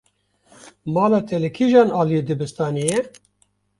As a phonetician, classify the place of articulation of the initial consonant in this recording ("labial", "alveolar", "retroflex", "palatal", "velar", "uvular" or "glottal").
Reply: labial